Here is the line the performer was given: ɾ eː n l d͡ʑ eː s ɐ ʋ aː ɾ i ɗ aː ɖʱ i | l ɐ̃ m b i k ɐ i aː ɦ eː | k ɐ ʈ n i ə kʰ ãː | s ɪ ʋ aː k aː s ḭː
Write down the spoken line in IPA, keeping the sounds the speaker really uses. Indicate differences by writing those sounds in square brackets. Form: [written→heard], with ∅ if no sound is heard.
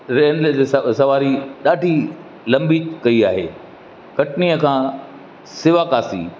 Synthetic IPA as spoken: ɾ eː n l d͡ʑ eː s ɐ ʋ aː ɾ i ɗ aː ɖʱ i | l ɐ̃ m b i k ɐ i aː ɦ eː | k ɐ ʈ n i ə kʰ ãː | s ɪ ʋ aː k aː s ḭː